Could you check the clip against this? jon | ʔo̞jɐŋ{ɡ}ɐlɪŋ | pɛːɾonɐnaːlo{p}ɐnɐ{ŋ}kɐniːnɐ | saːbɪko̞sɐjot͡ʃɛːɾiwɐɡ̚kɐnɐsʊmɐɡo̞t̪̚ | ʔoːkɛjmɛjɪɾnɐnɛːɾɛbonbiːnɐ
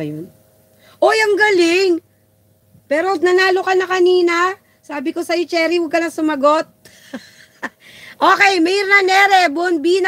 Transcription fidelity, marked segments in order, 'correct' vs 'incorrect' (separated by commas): correct, incorrect, incorrect